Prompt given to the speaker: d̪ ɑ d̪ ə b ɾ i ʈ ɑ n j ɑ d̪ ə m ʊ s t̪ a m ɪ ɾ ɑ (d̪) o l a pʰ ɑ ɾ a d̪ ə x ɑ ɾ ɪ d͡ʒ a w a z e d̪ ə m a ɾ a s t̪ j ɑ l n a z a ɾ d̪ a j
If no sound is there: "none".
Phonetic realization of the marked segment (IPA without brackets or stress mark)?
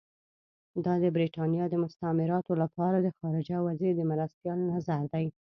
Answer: t̪